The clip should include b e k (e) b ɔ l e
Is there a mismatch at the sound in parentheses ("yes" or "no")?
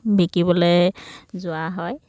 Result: yes